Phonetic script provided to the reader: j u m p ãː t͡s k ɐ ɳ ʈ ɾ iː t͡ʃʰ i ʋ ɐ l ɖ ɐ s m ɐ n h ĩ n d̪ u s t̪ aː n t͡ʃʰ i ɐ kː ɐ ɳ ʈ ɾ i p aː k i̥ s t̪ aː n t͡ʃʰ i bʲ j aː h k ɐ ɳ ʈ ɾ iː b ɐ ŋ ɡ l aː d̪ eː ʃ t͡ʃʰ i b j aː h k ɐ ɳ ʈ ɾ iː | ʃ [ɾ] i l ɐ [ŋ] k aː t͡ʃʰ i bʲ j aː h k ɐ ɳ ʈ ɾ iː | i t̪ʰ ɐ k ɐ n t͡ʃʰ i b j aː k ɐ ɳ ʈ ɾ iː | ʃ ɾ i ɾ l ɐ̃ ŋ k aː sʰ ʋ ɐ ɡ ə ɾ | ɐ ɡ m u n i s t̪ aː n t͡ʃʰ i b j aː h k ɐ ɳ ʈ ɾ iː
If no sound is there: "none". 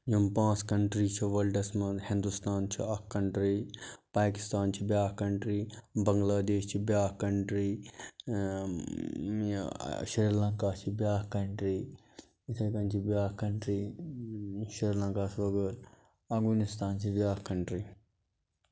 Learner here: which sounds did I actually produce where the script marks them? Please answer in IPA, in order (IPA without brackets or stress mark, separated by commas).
ɾ, ŋ